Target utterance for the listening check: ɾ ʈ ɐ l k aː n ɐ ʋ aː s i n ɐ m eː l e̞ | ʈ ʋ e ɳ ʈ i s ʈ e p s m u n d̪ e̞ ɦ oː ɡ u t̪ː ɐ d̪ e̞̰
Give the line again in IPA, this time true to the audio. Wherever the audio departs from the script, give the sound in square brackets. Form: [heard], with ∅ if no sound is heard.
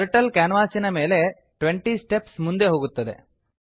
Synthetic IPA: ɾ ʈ ɐ l k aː n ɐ ʋ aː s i n ɐ m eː l e̞ | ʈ ʋ e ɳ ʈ i s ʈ e p s m u n d̪ e̞ ɦ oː ɡ u t̪ː ɐ d̪ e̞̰